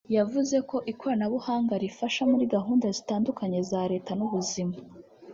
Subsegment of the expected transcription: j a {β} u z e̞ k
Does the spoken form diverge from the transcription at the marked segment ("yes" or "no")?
yes